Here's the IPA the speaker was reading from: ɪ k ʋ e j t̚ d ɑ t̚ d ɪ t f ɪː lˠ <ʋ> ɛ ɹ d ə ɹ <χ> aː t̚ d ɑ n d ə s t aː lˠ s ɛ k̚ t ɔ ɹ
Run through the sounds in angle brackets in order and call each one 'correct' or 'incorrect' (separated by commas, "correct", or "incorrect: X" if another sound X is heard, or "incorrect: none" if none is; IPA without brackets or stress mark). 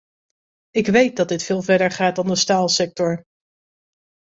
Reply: incorrect: v, correct